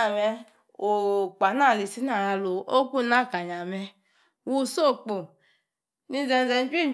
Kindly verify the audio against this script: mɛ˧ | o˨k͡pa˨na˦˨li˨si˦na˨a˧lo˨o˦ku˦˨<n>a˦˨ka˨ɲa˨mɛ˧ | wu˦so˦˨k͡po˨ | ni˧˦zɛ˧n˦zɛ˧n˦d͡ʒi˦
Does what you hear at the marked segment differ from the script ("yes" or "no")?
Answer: no